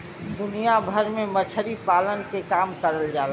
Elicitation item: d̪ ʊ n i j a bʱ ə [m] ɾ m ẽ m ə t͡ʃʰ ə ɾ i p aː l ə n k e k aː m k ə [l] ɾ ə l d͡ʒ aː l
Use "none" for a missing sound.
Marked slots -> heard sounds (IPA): none, none

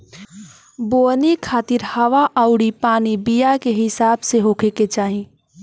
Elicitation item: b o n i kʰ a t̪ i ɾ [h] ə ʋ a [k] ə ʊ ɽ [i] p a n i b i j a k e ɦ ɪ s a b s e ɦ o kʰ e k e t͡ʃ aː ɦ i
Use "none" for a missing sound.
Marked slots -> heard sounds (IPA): h, ʔ, i

